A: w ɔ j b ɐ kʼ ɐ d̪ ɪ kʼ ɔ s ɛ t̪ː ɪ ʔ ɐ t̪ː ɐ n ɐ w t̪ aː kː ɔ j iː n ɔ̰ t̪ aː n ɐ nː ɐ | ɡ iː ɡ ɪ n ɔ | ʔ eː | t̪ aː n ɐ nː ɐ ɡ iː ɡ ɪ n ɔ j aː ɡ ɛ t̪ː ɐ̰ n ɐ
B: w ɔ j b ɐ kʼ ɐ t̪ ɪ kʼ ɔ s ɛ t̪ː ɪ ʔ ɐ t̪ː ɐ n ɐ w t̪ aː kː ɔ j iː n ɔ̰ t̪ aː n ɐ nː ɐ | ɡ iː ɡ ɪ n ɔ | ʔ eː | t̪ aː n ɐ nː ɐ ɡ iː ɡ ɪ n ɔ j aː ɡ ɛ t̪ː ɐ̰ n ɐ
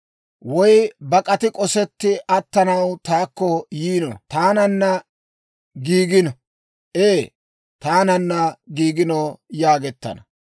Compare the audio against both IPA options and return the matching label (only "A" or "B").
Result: B